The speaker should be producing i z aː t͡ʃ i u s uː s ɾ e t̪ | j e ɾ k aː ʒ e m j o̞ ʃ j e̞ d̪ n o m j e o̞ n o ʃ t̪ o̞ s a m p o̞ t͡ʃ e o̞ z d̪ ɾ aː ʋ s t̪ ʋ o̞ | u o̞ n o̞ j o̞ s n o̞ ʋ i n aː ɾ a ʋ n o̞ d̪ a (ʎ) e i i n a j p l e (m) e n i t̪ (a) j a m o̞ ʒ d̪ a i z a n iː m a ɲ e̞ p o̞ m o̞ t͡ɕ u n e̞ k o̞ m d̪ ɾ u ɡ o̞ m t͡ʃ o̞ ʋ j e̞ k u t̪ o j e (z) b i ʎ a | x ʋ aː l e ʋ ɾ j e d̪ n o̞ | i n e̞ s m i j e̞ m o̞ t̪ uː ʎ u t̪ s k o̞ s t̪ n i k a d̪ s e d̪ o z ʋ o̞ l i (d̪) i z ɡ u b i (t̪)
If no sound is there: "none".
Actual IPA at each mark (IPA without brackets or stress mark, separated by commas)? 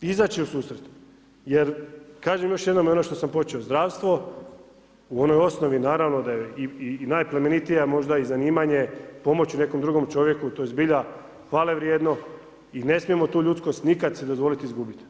j, m, i, z, t̪, t̪